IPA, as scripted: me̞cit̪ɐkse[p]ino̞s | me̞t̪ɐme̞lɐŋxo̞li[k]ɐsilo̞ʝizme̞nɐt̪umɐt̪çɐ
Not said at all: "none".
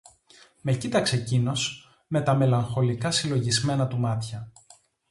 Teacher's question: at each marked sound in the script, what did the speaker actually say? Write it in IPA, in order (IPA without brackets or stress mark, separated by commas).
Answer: c, k